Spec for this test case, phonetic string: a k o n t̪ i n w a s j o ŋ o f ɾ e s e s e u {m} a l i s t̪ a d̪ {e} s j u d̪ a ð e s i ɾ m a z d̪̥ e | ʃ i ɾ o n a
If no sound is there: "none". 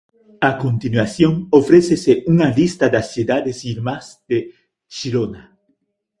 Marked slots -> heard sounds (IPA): ŋ, a

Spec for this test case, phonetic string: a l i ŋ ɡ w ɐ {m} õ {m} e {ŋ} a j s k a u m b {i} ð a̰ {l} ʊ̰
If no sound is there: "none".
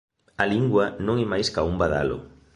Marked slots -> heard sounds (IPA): n, ŋ, m, a, l

